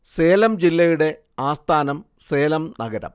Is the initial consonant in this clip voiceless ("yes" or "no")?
yes